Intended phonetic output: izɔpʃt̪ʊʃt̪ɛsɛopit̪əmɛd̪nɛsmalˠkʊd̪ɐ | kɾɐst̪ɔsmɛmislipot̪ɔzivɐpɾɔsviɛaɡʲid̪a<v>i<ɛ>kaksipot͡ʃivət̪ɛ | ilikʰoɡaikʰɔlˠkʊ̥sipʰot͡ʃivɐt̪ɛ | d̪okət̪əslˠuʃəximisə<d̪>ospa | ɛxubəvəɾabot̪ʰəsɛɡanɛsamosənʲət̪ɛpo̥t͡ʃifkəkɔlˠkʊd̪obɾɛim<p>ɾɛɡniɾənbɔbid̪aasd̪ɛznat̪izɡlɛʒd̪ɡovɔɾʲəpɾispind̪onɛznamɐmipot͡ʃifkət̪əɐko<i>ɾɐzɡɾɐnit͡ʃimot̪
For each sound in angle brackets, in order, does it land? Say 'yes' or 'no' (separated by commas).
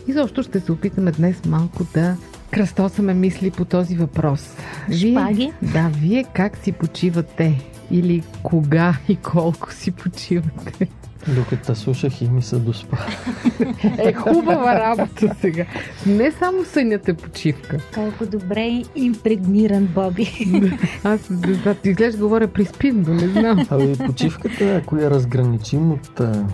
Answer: yes, yes, yes, yes, no